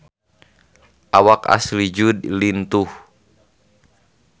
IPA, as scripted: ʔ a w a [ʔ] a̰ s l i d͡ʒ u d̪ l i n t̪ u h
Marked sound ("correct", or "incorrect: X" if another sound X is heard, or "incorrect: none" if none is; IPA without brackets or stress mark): incorrect: k